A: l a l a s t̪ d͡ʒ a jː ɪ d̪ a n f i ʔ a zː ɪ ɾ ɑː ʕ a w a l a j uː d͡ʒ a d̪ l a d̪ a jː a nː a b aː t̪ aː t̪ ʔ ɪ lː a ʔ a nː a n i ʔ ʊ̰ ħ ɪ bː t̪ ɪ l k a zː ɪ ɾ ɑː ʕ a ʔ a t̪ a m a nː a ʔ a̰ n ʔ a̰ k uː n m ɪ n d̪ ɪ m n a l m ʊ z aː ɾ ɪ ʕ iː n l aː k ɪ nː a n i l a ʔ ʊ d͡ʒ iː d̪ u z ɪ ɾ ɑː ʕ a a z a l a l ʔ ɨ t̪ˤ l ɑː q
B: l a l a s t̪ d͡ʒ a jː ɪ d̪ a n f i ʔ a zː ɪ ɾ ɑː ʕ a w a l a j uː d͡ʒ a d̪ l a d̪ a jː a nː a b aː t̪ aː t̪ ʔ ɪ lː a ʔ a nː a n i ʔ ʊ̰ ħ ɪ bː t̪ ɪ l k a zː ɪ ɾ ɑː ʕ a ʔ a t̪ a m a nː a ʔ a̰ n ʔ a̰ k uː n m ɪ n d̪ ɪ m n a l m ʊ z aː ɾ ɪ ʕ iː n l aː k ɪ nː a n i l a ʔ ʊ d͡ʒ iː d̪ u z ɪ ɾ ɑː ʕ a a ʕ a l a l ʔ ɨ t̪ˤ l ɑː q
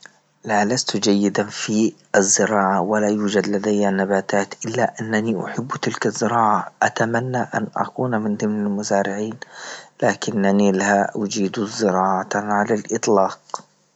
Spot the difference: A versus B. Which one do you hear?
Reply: B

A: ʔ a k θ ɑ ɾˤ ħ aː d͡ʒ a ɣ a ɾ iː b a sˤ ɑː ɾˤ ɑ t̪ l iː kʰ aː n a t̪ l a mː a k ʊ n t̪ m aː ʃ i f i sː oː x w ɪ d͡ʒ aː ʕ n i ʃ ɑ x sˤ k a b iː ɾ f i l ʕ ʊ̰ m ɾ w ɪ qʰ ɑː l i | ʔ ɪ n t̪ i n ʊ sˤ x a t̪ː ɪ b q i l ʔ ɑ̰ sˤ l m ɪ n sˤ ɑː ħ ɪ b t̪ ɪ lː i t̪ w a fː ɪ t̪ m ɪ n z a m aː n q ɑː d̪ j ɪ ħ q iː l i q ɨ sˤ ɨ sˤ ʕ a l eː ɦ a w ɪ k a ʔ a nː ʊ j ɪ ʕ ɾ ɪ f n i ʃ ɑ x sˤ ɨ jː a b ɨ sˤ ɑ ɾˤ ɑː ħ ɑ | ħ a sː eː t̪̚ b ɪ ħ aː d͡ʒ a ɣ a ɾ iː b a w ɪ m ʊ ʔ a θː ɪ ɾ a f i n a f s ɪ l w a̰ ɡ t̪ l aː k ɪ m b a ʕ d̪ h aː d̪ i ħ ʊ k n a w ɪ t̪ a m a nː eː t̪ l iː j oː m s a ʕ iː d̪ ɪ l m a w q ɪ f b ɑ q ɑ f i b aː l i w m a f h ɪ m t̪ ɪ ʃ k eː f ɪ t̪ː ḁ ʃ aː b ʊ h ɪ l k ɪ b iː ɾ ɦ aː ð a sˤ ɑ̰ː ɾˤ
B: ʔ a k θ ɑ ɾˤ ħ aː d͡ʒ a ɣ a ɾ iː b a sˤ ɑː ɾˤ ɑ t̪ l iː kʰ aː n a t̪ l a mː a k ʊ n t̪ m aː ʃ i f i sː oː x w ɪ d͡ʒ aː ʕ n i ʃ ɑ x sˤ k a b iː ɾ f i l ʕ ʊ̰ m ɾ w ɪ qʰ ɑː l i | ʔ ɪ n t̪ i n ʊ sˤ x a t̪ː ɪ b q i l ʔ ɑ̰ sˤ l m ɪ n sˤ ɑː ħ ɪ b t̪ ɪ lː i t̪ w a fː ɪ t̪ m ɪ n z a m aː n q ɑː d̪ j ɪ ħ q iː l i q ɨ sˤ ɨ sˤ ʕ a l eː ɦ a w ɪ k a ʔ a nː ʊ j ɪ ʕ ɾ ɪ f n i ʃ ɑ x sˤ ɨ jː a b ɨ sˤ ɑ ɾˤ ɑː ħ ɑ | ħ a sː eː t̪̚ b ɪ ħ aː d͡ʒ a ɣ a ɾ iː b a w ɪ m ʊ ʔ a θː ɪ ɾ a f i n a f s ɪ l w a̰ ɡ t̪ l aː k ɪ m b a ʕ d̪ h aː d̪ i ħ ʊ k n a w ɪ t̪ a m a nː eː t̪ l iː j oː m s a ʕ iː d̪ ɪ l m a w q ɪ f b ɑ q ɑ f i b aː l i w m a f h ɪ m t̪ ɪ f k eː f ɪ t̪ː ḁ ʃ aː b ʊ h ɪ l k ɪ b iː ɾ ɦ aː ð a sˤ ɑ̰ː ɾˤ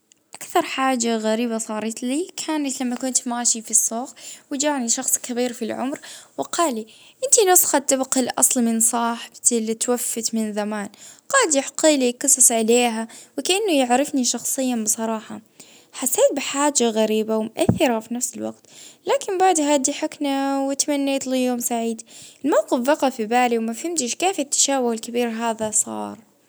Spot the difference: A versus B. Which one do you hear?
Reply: A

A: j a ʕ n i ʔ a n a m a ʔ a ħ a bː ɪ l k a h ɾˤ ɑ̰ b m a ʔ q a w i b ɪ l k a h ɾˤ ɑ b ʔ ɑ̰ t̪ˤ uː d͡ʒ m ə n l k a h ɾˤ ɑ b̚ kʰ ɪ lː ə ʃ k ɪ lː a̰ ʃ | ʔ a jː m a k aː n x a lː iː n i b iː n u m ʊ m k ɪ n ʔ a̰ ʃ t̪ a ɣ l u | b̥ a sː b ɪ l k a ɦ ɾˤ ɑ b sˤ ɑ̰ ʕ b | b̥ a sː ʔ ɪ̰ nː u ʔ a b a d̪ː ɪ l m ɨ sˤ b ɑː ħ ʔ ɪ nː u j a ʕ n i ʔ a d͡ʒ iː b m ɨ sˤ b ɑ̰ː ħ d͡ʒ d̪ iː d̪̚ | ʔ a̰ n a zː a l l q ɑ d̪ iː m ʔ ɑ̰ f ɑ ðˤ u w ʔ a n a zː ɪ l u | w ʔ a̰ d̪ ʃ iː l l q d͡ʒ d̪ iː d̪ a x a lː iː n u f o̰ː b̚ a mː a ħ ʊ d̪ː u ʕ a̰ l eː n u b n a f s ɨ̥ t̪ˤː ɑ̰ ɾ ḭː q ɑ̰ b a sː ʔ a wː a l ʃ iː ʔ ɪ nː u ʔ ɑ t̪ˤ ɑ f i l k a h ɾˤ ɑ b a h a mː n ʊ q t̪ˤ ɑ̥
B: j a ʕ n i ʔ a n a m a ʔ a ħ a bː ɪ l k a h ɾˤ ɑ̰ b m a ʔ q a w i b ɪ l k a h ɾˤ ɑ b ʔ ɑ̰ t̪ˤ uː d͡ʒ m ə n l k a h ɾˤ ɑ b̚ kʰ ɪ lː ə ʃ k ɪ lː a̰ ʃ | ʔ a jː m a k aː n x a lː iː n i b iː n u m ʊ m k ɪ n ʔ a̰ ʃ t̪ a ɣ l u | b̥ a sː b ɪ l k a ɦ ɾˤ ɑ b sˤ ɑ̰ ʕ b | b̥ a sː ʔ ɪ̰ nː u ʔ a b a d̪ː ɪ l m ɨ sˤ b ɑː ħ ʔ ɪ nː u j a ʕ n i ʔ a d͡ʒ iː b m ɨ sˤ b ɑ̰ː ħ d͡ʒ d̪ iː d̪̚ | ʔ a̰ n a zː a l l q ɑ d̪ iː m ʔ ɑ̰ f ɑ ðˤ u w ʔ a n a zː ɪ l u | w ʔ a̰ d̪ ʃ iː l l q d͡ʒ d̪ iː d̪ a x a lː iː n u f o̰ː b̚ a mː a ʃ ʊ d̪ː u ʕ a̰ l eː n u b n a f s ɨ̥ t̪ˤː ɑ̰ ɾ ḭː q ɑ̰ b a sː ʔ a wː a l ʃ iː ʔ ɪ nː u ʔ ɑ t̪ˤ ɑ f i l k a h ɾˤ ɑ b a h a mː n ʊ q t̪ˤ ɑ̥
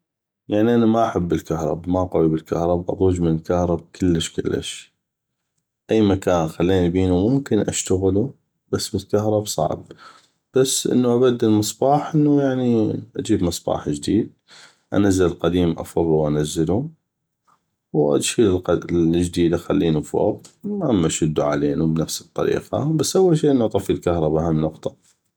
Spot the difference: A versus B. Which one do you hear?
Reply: B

